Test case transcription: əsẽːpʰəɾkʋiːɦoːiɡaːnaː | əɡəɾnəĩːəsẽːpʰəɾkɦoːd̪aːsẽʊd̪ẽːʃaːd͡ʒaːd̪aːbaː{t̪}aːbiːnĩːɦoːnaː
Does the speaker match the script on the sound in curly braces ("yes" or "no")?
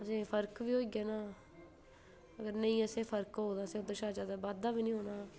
no